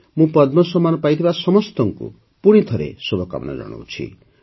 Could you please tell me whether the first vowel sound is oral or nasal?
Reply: nasal